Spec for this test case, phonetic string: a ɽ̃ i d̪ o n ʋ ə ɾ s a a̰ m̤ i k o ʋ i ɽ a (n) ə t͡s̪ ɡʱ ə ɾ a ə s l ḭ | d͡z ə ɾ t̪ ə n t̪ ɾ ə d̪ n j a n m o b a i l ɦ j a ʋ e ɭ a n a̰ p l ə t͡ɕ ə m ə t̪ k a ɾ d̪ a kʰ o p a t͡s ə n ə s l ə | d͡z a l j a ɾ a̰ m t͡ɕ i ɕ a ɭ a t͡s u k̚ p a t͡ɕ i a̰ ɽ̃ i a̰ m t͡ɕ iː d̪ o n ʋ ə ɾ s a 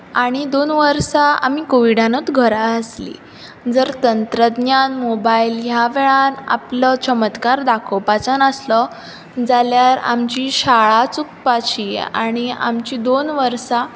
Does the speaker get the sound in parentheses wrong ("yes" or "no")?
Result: no